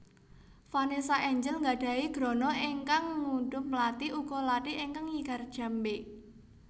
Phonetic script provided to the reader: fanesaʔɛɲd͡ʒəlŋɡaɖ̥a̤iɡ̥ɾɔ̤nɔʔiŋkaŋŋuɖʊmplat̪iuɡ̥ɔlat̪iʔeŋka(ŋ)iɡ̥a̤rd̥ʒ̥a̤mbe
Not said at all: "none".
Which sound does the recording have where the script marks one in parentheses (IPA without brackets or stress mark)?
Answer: ŋ